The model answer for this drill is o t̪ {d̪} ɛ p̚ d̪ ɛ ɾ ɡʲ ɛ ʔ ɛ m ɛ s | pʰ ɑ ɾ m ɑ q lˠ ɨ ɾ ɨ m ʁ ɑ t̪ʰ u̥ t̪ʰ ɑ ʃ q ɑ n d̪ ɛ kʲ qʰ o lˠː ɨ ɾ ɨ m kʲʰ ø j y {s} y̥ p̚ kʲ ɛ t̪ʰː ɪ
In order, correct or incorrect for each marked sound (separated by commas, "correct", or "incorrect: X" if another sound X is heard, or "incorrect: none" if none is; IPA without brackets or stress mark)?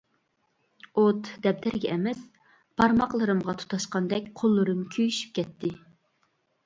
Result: correct, incorrect: ʃ